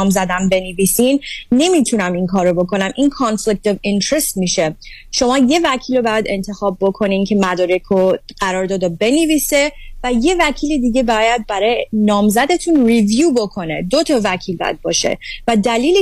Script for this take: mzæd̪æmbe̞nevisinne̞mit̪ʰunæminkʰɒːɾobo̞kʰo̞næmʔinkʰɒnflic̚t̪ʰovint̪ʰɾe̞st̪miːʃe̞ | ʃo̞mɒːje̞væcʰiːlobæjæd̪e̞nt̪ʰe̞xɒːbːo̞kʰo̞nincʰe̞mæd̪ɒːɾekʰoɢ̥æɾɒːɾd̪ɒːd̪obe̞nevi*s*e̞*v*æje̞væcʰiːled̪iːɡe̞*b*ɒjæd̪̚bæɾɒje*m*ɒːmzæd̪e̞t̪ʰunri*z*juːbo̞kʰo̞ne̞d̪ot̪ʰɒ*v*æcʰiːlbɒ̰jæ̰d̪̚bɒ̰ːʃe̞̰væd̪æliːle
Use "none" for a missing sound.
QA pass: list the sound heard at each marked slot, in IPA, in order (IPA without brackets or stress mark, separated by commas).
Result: s, v, b, n, v, v